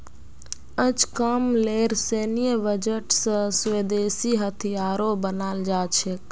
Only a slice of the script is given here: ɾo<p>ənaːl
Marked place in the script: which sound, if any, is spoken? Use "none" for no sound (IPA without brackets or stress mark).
b